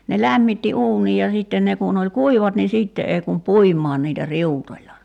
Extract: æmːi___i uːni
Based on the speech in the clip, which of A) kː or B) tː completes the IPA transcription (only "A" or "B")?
B